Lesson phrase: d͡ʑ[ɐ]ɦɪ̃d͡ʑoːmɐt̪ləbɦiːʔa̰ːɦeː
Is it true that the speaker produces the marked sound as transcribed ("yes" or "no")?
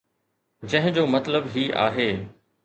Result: no